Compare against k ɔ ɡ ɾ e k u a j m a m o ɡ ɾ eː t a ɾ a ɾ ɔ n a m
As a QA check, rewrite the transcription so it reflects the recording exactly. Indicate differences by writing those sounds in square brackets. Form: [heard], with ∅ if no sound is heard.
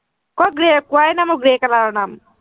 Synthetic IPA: k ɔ ɡ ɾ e k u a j [n] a m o ɡ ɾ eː [k] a [l] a ɾ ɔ n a m